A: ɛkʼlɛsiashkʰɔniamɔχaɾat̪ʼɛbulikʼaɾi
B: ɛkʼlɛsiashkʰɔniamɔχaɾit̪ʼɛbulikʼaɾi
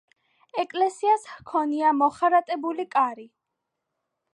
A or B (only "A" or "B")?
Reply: A